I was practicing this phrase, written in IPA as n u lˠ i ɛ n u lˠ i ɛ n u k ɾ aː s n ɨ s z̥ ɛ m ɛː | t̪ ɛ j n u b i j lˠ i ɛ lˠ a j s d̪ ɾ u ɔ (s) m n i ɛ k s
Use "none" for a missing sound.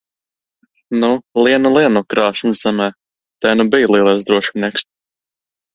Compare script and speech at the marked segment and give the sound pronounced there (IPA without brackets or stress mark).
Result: ʃ